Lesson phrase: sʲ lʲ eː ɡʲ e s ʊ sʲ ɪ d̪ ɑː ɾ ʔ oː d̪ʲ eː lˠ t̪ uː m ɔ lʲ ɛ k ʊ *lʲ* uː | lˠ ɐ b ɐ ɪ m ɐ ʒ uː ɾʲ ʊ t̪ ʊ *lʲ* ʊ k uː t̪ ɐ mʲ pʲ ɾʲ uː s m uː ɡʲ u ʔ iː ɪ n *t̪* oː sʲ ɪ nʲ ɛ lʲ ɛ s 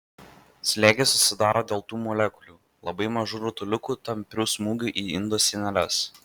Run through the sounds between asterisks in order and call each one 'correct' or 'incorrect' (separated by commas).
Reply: correct, correct, incorrect